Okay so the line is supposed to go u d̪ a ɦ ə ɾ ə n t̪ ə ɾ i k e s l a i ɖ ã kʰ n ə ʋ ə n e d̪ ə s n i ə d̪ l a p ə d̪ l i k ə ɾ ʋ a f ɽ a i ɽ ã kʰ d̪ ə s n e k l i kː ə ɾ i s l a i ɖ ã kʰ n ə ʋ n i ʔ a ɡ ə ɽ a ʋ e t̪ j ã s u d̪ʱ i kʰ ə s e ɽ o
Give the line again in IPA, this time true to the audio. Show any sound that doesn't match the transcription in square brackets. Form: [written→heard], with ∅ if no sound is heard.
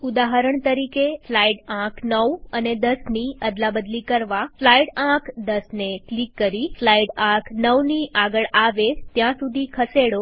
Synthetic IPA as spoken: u d̪ a ɦ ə ɾ ə [n→ɳ] t̪ ə ɾ i k e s l a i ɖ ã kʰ n ə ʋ ə n e d̪ ə s n i ə d̪ l a [p→b] ə d̪ l i k ə ɾ ʋ a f [ɽ→l] a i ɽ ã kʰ d̪ ə s n e k l i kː ə ɾ i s l a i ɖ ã kʰ n ə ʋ n i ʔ a ɡ ə [ɽ→ɭ] a ʋ e t̪ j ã s u d̪ʱ i kʰ ə s e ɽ o